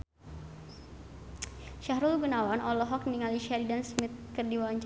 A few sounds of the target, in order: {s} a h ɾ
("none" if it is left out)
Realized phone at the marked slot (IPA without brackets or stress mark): ʃ